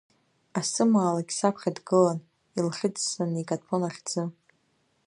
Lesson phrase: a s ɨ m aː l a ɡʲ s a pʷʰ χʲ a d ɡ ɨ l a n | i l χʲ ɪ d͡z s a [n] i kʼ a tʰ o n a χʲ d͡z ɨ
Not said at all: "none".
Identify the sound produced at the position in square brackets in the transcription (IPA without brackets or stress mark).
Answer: n